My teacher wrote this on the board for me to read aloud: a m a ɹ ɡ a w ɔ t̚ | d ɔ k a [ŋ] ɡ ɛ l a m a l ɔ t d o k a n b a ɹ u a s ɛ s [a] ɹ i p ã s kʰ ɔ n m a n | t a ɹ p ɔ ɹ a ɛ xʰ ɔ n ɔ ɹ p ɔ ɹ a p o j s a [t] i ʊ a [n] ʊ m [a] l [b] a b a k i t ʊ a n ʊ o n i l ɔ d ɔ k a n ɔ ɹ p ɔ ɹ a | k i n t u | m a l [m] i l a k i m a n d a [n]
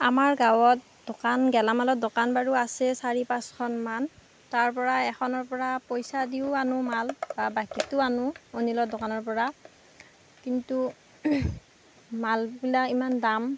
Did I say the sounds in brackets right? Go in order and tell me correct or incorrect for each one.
incorrect: n, correct, incorrect: d, correct, correct, correct, incorrect: b, incorrect: m

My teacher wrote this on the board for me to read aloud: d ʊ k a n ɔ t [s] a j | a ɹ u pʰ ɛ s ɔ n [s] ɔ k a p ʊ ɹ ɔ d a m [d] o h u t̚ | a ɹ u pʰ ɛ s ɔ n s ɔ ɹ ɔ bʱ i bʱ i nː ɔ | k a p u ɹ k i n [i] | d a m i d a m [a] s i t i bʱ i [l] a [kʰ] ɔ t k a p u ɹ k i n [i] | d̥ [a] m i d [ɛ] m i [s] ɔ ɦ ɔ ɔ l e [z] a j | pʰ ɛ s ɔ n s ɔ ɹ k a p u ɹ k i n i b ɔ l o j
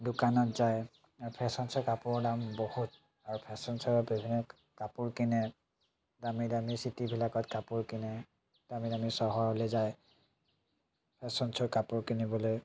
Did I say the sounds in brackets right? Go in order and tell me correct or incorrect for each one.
incorrect: z, correct, incorrect: b, incorrect: ɛ, incorrect: i, correct, incorrect: k, incorrect: ɛ, correct, incorrect: a, correct, correct

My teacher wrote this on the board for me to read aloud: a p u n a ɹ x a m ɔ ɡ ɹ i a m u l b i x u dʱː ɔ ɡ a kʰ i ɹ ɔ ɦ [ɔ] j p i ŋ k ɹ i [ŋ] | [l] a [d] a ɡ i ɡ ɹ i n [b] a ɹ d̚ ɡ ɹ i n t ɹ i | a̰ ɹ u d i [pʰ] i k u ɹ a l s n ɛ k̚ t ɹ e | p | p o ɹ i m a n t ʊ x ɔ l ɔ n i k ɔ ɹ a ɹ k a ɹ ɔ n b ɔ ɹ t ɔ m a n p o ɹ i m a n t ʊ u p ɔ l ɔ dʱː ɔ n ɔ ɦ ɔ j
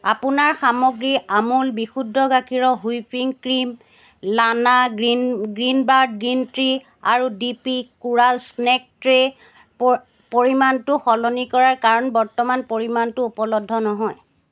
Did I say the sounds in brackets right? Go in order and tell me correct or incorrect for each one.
incorrect: u, incorrect: m, correct, incorrect: n, correct, incorrect: p

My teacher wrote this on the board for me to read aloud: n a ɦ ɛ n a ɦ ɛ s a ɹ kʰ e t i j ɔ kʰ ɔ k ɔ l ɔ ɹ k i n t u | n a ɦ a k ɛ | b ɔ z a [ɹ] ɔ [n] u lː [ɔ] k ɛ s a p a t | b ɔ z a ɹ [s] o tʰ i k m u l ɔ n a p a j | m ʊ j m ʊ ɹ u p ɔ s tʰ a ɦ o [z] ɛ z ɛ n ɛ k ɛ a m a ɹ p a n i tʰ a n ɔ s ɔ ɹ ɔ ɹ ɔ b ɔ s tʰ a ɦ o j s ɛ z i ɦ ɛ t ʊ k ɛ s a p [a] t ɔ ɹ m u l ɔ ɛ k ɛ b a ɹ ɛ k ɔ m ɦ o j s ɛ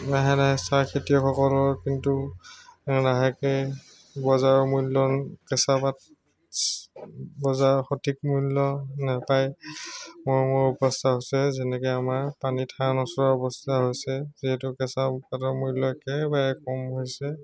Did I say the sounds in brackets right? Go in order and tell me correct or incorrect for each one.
correct, incorrect: m, correct, incorrect: x, incorrect: s, correct

